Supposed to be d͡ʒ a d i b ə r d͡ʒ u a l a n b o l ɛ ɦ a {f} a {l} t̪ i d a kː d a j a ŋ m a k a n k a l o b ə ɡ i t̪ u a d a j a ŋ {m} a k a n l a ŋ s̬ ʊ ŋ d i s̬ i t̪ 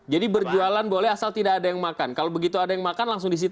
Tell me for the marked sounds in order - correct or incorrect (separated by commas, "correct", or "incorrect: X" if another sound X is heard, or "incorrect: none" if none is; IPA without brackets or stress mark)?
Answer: incorrect: s, correct, correct